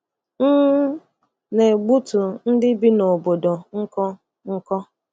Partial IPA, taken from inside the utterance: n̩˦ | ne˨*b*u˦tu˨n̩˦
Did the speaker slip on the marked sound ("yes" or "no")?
yes